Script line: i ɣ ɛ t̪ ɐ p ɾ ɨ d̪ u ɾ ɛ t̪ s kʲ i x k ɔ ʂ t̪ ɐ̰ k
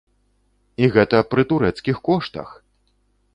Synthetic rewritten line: i ɣ ɛ t̪ ɐ p ɾ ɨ t̪ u ɾ ɛ t̪ s kʲ i x k ɔ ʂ t̪ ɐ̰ x